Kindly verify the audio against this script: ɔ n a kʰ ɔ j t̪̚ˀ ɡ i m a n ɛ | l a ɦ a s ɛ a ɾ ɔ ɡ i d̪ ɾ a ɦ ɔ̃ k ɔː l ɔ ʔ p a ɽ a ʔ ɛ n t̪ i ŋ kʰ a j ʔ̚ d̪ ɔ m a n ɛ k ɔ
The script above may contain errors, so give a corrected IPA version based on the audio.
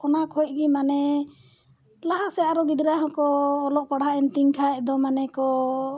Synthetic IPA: ɔ n a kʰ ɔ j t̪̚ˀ ɡ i m a n ɛ | l a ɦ a s ɛ a ɾ ɔ ɡ i d̪ ɾ a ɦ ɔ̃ k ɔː l ɔ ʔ p a ɽ a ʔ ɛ n t̪ i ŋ kʰ a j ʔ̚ d̪ ɔ m a n ɛ k ɔ